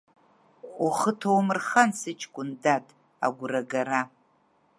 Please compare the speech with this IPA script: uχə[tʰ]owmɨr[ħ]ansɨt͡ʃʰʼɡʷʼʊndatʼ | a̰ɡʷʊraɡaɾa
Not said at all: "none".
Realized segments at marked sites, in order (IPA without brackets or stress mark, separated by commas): tʰ, χ